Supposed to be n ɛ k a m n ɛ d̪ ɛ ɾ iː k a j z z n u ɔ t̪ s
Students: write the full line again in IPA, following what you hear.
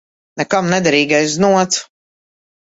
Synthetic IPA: n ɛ k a m n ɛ d̪ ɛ ɾ iː ɡ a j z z n u ɔ t̪ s